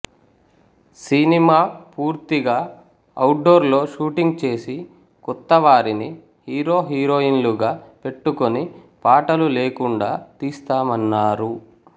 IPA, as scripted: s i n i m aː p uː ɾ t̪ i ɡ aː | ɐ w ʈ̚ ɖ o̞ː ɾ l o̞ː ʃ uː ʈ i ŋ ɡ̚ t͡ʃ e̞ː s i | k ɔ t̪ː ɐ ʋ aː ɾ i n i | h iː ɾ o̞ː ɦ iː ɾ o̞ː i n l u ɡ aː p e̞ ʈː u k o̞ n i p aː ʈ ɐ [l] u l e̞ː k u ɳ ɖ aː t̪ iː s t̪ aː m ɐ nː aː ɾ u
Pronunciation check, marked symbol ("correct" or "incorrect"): correct